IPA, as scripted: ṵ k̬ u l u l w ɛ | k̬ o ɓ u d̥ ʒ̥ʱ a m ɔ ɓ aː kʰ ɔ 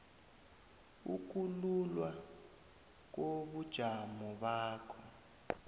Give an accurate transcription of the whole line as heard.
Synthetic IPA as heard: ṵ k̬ u l u l w a | k̬ o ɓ u d̥ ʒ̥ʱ a m ɔ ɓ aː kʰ ɔ

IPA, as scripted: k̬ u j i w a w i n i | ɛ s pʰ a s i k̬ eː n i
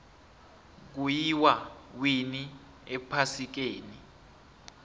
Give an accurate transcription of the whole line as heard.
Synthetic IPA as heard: k̬ u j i w a w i n i | ɛ pʰ a s i k̬ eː n i

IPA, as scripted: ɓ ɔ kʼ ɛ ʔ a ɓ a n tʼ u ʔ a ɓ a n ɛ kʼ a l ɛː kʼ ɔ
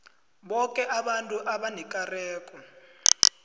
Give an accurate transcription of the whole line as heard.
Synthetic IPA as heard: ɓ ɔ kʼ ɛ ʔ a ɓ a n tʼ u ʔ a ɓ a n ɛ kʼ a r ɛː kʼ ɔ

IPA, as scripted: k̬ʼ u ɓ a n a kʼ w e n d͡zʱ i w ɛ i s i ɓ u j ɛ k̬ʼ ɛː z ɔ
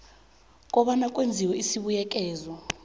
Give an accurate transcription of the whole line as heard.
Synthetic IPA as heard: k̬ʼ ɔ ɓ a n a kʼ w e n d͡zʱ i w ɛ i s i ɓ u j ɛ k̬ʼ ɛː z ɔ

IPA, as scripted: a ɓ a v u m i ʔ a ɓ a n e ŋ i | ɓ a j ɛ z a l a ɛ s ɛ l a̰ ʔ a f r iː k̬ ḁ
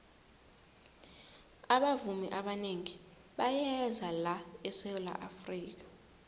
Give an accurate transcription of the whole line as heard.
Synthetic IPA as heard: a ɓ a v u m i ʔ a ɓ a n e ŋ i | ɓ a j ɛ z a l a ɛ s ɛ l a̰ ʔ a f r iː k̬ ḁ

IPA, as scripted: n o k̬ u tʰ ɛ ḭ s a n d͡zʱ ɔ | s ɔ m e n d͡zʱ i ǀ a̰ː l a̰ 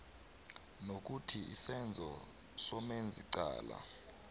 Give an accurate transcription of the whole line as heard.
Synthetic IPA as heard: n o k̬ u tʰ i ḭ s ɛ n d͡zʱ ɔ | s ɔ m e n d͡zʱ i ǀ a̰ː l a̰

